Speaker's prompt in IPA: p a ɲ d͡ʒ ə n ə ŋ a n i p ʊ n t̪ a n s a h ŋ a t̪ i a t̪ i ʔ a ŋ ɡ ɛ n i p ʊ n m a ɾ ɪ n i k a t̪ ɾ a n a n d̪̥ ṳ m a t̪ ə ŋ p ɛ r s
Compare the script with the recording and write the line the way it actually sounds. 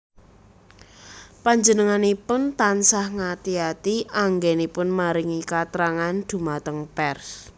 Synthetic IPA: p a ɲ d͡ʒ ə n ə ŋ a n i p ʊ n t̪ a n s a h ŋ a t̪ i a t̪ i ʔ a ŋ ɡ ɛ n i p ʊ n m a ɾ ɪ ŋ i k a t̪ ɾ a ŋ a n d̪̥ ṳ m a t̪ ə ŋ p ɛ r s